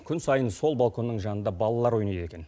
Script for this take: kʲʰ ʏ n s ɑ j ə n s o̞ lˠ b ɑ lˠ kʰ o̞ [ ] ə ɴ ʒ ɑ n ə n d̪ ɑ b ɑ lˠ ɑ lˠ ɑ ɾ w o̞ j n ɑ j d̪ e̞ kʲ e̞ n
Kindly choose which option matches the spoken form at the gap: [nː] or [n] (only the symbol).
nː